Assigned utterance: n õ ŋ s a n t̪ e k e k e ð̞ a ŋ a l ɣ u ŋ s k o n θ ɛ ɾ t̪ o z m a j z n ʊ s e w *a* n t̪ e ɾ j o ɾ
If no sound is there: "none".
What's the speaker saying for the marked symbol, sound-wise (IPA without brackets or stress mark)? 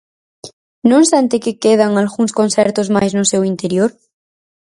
i